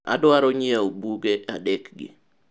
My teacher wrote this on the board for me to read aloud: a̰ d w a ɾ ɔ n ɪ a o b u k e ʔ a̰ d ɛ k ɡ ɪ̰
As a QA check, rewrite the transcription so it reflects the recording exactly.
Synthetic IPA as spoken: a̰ d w a ɾ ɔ ɲ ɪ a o b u ɡ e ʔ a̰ d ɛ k ɡ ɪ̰

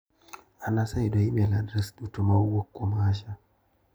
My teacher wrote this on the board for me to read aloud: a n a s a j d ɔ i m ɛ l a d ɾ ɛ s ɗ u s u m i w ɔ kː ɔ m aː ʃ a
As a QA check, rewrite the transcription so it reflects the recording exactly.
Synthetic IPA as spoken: a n a s a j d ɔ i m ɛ l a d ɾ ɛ s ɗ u t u m a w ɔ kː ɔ m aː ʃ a

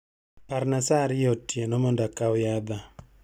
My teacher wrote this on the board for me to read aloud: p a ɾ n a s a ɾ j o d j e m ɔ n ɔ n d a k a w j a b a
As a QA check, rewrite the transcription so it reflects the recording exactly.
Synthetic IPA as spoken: p a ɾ n a s a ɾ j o t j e n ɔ m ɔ n d a k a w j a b a

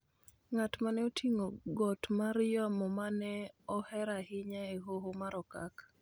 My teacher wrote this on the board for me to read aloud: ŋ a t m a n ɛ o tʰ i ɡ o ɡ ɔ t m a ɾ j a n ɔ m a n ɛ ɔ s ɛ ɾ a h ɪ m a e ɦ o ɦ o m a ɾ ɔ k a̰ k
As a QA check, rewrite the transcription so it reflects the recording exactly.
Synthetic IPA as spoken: ŋ a t m a n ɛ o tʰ i ŋ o ɡ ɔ t m a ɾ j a m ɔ m a n ɛ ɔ h ɛ ɾ a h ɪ ɲ a e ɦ o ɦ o m a ɾ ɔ k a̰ k

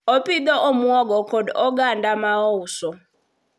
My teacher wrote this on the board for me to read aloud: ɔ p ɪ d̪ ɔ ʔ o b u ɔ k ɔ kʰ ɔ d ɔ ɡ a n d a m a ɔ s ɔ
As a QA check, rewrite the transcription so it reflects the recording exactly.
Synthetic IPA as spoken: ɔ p i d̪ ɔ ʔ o m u ɔ ɡ ɔ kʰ ɔ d ɔ ɡ a n d a m a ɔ s ɔ

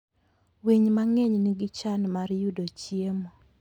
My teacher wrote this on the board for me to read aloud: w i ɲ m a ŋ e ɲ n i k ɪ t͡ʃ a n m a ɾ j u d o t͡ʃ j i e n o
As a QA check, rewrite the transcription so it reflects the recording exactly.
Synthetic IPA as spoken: w i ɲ m a ŋ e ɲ n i ɡ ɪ t͡ʃ a n m a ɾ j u d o t͡ʃ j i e m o

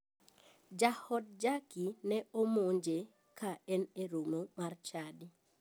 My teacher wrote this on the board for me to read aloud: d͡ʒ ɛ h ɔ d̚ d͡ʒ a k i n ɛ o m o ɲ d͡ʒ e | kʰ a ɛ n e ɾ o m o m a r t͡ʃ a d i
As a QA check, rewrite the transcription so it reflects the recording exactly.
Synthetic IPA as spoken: d͡ʒ a h ɔ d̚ d͡ʒ a k i n ɛ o m o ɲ d͡ʒ e | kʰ a ɛ n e ɾ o m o m a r t͡ʃ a d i

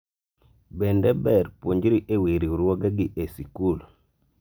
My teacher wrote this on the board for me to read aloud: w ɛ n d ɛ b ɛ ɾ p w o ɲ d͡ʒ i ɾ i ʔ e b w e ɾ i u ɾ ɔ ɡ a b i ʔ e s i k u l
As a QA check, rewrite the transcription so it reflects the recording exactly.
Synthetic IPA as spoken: b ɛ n d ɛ b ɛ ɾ p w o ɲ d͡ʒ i ɾ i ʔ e w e ɾ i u ɾ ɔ ɡ a ɡ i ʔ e s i k u l

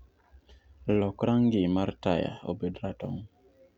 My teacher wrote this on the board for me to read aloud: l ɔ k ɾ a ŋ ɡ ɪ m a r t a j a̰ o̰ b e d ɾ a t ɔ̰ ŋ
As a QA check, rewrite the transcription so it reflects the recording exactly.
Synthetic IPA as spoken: l ɔ k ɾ a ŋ ɡ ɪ m a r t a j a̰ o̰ b e d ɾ a t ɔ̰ ŋ

